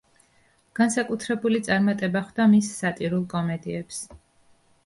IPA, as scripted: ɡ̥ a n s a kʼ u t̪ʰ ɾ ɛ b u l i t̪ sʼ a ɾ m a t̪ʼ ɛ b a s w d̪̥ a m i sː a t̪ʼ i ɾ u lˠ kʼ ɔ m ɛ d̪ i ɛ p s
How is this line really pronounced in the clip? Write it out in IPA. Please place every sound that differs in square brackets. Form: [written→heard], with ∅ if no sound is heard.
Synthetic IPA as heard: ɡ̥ a n s a kʼ u t̪ʰ ɾ ɛ b u l i t̪ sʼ a ɾ m a t̪ʼ ɛ b a [s→χ] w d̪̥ a m i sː a t̪ʼ i ɾ u lˠ kʼ ɔ m ɛ d̪ i ɛ p s